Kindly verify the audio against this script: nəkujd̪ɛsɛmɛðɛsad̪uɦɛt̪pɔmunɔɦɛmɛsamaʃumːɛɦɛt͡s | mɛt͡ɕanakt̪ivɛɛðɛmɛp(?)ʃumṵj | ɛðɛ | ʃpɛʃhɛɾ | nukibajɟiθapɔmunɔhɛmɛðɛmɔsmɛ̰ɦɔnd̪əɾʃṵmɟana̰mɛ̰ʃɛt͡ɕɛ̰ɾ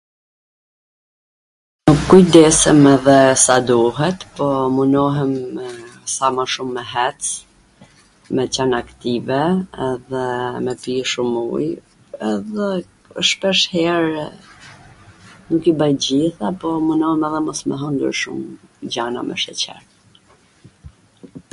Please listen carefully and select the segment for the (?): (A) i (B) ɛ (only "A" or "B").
A